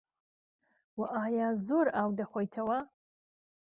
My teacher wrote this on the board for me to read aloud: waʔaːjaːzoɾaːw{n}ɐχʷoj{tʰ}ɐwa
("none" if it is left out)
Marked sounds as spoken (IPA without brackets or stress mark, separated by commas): d, tʰ